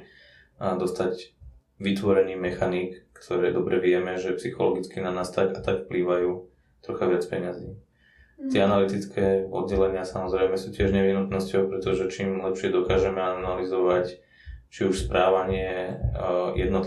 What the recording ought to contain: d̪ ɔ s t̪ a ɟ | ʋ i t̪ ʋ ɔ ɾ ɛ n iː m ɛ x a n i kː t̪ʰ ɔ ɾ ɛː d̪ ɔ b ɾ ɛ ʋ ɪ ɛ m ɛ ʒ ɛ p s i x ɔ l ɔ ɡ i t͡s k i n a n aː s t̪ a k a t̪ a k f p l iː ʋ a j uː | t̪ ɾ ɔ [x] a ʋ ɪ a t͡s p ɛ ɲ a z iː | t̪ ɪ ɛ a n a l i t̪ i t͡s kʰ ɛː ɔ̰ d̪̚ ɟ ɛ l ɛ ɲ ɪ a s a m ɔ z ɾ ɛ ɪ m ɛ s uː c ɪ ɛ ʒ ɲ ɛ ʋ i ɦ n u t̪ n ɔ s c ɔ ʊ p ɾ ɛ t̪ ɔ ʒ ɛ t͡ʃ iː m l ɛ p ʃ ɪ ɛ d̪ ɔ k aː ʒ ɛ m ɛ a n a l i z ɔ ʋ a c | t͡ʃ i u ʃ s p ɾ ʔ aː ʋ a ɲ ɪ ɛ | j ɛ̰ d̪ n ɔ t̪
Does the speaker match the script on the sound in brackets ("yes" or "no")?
yes